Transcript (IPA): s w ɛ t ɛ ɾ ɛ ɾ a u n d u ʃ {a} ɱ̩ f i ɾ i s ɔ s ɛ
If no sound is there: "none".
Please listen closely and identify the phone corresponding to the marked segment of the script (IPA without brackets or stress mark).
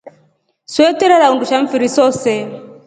a